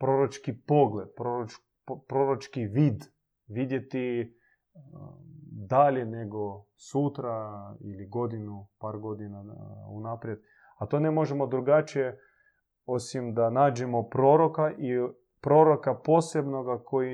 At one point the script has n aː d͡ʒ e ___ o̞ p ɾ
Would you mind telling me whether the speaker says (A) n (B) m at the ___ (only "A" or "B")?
B